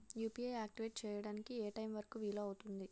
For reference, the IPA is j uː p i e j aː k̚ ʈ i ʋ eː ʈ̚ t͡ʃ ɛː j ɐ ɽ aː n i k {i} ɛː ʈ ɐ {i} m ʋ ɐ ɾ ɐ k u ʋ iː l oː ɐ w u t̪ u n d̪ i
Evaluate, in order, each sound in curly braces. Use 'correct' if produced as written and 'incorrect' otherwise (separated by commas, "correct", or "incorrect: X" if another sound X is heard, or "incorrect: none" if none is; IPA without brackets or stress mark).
correct, incorrect: j